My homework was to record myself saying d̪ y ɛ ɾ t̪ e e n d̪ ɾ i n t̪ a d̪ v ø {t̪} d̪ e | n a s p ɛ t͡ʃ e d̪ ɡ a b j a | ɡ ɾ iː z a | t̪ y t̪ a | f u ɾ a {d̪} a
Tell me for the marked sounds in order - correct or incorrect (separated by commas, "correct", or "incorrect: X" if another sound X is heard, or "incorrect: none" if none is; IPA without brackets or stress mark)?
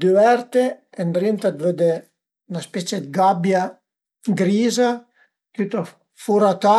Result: incorrect: none, incorrect: t̪